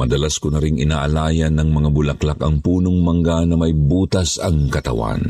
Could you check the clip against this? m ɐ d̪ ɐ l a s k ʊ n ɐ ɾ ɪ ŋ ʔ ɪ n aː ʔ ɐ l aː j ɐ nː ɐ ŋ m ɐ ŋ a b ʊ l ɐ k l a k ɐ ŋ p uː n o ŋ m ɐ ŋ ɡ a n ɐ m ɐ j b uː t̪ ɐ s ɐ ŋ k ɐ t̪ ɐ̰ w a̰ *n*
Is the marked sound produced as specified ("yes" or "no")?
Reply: yes